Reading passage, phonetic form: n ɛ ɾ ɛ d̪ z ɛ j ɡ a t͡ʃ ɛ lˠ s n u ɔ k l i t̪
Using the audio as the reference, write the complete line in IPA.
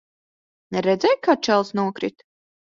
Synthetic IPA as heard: n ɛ ɾ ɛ d̪ z ɛ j k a t͡ʃ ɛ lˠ s n u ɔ k ɾ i t̪